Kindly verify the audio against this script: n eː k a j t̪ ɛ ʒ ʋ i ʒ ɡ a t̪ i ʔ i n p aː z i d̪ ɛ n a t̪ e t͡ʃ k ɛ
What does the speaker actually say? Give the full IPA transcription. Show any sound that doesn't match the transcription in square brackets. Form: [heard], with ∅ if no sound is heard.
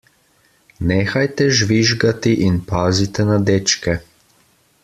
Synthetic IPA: n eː [x] a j t̪ ɛ ʒ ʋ i ʒ ɡ a t̪ i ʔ i n p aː z i [t̪] ɛ n a [d̪] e t͡ʃ k ɛ